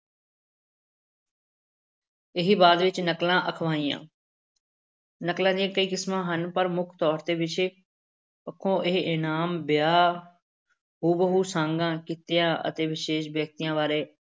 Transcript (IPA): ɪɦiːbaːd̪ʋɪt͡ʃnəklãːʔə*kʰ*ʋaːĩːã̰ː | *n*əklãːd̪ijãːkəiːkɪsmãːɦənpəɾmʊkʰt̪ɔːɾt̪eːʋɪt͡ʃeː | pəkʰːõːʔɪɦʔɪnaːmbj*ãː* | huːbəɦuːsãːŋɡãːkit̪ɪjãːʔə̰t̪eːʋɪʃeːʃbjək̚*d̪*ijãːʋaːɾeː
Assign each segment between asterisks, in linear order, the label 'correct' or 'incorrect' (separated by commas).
correct, correct, incorrect, incorrect